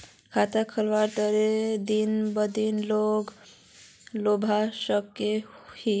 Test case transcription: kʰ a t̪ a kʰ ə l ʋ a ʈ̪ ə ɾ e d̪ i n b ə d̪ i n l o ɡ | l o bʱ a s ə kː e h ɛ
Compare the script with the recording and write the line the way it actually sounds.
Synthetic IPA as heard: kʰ a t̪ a kʰ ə l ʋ a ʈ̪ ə ɾ e d̪ i n b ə d̪ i n l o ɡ | l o bʱ a s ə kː e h i